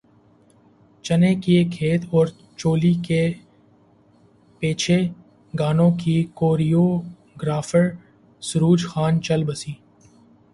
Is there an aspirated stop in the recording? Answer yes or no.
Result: yes